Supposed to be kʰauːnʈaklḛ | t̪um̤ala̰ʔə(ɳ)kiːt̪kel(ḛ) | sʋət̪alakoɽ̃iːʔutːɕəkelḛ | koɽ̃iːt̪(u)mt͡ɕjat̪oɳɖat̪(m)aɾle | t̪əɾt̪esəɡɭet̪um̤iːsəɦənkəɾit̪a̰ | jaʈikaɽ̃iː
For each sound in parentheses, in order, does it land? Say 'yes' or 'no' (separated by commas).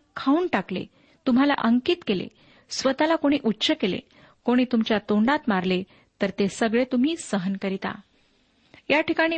no, yes, yes, yes